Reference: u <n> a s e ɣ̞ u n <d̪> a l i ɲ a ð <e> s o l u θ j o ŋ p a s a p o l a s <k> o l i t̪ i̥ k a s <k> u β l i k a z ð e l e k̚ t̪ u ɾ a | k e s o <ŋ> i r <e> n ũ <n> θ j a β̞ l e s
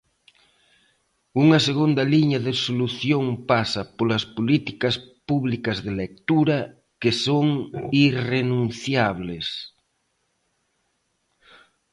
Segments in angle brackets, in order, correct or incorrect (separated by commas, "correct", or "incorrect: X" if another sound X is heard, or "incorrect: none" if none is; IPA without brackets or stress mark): incorrect: ŋ, correct, correct, incorrect: p, incorrect: p, correct, correct, correct